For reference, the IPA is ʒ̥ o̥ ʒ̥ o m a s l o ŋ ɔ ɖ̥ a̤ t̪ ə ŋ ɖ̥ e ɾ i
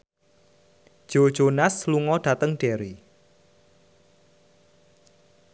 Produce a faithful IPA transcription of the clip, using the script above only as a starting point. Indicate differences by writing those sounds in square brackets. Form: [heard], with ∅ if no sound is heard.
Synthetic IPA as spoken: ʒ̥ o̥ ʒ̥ o [n] a s l [u] ŋ ɔ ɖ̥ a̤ t̪ ə ŋ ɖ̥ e ɾ i